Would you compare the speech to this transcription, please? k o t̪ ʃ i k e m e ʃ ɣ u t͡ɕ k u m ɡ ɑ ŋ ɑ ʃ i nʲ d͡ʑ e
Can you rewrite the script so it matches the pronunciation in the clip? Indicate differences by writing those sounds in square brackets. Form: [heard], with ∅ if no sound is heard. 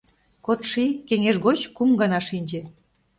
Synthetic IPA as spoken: k o t̪ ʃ i k e [ŋ] e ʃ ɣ [o] t͡ɕ k u m ɡ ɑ [n] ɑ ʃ i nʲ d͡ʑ e